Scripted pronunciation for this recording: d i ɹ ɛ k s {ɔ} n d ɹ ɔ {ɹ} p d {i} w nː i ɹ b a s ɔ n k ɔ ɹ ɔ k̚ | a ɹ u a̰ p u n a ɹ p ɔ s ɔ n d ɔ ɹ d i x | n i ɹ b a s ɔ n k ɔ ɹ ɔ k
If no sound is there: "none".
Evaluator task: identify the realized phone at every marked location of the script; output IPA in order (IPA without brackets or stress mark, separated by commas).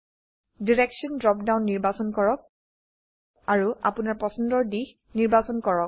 ɔ, none, a